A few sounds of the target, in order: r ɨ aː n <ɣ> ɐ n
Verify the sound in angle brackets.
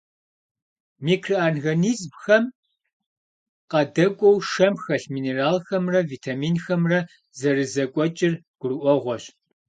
correct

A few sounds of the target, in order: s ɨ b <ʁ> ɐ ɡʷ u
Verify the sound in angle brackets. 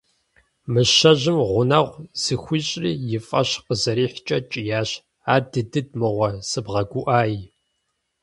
correct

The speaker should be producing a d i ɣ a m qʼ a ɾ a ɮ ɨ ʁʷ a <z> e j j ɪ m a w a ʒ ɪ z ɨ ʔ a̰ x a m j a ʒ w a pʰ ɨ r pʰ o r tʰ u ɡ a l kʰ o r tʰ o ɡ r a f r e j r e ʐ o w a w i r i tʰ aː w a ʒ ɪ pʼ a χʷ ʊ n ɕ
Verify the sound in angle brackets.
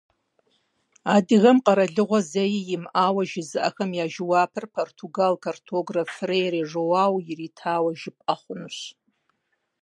correct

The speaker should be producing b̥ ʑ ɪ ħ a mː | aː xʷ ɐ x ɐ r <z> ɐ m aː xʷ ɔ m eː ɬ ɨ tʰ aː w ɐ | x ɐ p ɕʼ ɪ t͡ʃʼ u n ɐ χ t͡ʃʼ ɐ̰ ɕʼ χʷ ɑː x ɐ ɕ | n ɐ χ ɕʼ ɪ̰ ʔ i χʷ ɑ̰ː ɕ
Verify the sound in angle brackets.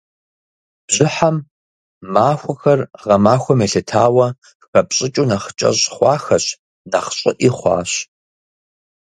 incorrect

